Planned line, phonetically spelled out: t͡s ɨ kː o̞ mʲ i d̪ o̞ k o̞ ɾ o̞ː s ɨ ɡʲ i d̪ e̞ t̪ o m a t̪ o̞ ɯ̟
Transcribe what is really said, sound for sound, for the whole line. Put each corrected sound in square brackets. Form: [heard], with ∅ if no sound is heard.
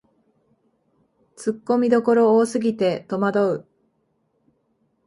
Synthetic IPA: t͡s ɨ kː o̞ mʲ i d̪ o̞ k o̞ ɾ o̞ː s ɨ ɡʲ i [t̪] e̞ t̪ o m a [d̪] o̞ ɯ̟